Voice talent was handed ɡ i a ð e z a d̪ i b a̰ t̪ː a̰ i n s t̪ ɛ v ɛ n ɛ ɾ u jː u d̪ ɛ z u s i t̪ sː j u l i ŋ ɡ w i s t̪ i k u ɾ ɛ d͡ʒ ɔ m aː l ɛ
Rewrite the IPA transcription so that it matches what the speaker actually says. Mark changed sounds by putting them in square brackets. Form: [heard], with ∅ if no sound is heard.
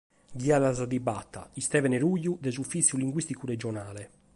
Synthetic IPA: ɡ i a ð [a] z a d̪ i b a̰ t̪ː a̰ i [∅] s t̪ ɛ v ɛ n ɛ ɾ u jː u d̪ ɛ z u [f] i t̪ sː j u l i ŋ ɡ w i s t̪ i k u ɾ ɛ d͡ʒ ɔ [n] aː l ɛ